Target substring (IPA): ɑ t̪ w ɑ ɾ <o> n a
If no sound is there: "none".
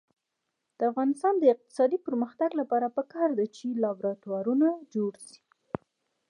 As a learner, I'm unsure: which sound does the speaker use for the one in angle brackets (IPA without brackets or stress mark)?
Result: u